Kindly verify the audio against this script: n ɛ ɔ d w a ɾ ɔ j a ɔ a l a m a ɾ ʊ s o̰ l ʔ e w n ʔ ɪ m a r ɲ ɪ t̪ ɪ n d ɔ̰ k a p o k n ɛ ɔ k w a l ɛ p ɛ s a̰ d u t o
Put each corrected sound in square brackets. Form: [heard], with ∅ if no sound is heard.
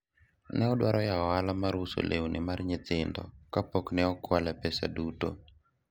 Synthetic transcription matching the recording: n ɛ ɔ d w a ɾ ɔ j a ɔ a l a m a ɾ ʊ s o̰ l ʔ e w n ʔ ɪ m a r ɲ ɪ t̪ ɪ n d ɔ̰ k a p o k n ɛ ɔ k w a l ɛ p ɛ s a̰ d u t o